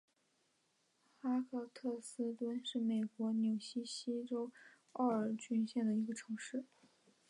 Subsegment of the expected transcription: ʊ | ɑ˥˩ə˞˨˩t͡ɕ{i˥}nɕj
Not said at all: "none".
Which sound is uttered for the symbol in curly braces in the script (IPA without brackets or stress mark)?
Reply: y˥